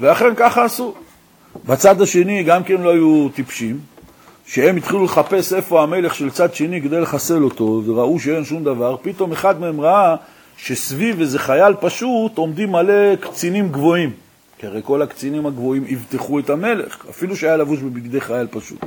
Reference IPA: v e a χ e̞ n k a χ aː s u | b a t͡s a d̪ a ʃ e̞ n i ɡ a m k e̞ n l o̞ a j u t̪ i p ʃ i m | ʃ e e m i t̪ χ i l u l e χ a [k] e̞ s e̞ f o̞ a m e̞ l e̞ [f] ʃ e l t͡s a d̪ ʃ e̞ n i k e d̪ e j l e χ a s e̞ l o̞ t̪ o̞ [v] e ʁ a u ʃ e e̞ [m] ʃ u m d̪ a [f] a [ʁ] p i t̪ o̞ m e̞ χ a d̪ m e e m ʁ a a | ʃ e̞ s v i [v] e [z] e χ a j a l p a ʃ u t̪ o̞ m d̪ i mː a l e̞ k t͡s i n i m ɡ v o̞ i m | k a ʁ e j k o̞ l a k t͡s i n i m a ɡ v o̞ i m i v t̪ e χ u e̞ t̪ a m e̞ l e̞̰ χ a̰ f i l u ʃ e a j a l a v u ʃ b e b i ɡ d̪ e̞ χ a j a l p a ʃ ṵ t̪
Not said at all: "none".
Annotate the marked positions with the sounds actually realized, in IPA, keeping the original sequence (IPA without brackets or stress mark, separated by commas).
p, χ, v, n, v, ʁ, v, z